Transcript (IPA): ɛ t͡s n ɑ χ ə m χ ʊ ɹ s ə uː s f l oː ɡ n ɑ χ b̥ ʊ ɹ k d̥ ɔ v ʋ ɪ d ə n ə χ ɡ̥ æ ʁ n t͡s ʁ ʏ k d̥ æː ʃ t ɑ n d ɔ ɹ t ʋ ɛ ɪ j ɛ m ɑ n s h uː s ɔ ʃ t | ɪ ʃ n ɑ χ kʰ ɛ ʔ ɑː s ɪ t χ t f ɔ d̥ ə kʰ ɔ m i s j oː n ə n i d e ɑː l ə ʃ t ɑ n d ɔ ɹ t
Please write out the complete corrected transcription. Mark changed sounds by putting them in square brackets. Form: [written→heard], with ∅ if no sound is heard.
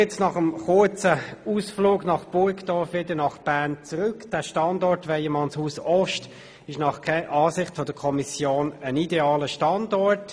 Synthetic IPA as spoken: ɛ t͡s n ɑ χ ə m χ ʊ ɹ [s→t͡s] ə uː s f l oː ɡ n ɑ χ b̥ ʊ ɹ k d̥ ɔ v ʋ ɪ d ə n [ə→ɑ] χ [ɡ̥→b̥] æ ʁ n t͡s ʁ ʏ k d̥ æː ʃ t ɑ n d ɔ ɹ t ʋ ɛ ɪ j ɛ m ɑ n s h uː s ɔ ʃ t | ɪ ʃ n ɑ χ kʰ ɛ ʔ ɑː s ɪ [t→∅] χ t f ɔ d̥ ə kʰ ɔ m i s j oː n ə n i d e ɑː l ə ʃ t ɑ n d ɔ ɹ t